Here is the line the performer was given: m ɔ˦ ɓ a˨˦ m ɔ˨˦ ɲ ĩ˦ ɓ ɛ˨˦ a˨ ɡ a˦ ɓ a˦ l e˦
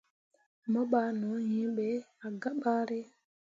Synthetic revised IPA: m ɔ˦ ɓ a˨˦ n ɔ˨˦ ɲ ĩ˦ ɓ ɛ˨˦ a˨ ɡ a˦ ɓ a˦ ɾ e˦